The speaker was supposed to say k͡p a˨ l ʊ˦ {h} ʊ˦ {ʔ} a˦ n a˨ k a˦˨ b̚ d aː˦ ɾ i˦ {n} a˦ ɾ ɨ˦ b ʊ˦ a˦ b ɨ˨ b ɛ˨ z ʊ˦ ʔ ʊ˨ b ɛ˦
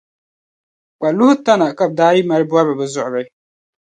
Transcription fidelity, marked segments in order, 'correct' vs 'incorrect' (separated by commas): correct, incorrect, incorrect